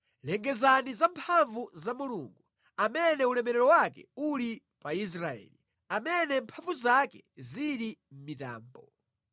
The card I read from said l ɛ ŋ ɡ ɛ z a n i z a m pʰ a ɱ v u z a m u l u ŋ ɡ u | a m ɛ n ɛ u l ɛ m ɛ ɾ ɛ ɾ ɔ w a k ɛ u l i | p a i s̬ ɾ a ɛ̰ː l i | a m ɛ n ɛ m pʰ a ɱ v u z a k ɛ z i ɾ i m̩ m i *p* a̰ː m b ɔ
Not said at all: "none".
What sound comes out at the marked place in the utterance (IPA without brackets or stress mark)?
t